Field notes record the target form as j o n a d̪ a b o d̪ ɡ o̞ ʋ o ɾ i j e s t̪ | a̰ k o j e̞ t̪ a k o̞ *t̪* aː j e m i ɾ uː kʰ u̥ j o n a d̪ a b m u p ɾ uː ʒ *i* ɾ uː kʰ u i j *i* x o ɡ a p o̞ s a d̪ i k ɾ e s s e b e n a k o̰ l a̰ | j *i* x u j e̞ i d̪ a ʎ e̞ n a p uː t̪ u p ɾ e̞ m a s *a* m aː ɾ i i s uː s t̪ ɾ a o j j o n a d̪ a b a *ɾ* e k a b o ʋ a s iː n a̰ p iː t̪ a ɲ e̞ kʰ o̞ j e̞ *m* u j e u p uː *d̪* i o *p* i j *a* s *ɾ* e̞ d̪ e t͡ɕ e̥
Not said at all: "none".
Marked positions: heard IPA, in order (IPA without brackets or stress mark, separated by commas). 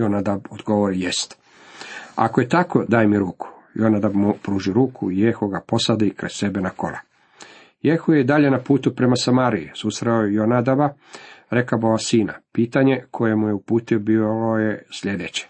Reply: d̪, i, e, e, a, ɾ, m, t̪, b, e, ʎ